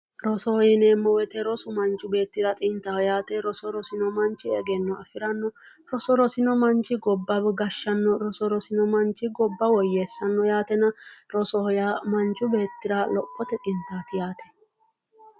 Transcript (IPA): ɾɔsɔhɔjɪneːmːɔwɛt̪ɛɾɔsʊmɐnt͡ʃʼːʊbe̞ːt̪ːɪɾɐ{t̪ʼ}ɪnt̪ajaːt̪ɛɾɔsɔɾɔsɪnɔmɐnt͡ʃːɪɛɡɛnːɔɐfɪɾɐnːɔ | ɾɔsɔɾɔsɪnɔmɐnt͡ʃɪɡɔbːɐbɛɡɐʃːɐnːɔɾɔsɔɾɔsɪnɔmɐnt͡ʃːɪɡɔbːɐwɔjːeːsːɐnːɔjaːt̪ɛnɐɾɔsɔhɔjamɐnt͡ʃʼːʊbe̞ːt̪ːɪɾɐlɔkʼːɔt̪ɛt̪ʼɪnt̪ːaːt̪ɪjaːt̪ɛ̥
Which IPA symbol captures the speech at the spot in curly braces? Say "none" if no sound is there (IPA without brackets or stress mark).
t̪ʼ